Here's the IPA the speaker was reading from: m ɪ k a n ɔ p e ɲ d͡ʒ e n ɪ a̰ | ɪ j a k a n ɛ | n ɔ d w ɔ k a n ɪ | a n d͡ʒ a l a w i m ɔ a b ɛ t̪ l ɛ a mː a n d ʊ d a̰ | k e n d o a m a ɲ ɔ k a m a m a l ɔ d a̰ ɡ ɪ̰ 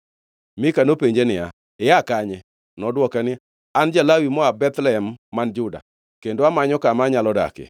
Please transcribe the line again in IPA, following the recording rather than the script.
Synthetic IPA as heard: m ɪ k a n o p e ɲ d͡ʒ e n ɪ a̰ | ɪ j a k a ɲ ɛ | n ɔ d w ɔ k a n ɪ | a n d͡ʒ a l a w i m ɔ a b ɛ t̪ l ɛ ɛ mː a n d͡ʒ ʊ d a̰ | k e n d o a m a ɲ ɔ k a m a ɲ a l ɔ d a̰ k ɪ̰